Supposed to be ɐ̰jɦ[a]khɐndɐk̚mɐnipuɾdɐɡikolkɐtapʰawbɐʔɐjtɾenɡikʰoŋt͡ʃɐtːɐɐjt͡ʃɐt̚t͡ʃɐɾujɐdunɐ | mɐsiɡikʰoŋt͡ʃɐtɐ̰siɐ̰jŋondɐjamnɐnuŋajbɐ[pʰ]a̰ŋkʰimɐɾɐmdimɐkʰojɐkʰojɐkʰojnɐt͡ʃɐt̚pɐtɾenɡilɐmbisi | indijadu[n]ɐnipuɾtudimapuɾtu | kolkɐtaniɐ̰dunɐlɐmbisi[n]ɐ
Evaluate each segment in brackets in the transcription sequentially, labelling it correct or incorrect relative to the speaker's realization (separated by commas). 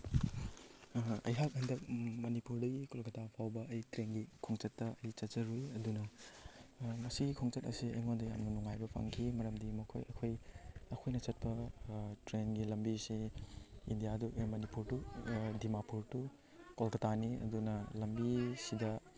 correct, correct, incorrect, incorrect